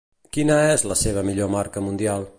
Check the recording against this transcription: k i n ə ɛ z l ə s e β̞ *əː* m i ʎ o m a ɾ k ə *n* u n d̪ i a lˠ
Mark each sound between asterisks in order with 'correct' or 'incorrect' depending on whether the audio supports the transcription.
incorrect: ə, incorrect: m

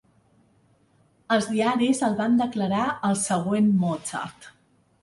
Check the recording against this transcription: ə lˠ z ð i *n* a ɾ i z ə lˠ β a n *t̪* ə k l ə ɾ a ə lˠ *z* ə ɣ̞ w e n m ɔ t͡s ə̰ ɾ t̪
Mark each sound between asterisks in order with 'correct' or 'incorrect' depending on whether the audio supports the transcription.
incorrect: none, incorrect: d̪, incorrect: s

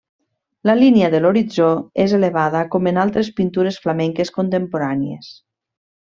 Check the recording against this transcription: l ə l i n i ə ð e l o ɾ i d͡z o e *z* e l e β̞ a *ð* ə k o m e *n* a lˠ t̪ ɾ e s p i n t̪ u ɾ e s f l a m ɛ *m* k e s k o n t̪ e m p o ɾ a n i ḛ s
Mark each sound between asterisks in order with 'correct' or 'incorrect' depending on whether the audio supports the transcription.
correct, correct, correct, incorrect: ŋ

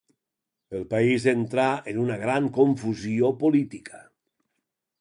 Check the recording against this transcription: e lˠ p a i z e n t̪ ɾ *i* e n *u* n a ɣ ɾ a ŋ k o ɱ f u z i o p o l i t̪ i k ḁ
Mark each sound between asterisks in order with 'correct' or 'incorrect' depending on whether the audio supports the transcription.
incorrect: a, correct

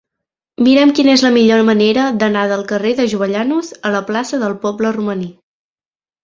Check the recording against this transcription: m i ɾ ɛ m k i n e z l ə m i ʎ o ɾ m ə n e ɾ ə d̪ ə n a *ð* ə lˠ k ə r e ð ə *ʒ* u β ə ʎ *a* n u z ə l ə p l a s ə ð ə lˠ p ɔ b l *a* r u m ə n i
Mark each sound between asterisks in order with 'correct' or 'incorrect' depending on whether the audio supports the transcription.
correct, correct, correct, incorrect: ə

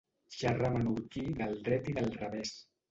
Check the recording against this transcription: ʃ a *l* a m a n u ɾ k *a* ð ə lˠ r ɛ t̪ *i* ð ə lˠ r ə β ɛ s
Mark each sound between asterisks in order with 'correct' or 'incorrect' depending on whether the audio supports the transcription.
incorrect: r, incorrect: i, correct

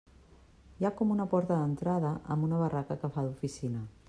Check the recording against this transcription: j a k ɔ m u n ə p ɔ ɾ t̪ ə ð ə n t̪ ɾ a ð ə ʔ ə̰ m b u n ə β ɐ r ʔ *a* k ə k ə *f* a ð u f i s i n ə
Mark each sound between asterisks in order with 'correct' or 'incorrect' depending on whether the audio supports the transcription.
correct, correct

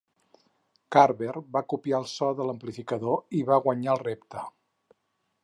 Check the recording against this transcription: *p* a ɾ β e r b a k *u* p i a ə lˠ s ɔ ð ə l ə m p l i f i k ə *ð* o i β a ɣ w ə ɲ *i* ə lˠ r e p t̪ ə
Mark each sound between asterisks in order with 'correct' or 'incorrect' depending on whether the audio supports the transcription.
incorrect: k, correct, correct, incorrect: a

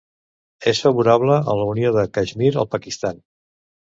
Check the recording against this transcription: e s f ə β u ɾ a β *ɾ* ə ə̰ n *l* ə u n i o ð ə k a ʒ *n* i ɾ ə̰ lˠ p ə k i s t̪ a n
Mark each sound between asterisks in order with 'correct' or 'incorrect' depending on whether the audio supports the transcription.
incorrect: l, correct, incorrect: m

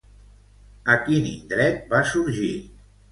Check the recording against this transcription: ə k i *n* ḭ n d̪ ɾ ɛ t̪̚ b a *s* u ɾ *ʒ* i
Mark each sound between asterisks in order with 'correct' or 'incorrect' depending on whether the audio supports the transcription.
correct, correct, correct

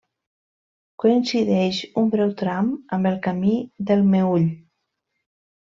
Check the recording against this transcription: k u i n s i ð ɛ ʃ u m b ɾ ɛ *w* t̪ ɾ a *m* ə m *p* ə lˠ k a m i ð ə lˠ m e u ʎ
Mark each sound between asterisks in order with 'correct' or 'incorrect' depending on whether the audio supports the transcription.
correct, correct, incorrect: b

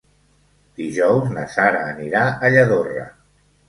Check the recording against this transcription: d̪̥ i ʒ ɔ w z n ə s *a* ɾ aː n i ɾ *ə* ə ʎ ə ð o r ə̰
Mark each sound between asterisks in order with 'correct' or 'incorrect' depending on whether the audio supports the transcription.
correct, incorrect: a

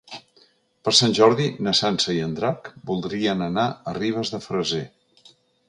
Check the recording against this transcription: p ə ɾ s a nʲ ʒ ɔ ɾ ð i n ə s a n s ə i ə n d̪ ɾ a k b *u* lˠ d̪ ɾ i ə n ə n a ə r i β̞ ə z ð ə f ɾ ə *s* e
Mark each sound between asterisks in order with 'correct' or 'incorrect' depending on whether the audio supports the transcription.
correct, incorrect: z

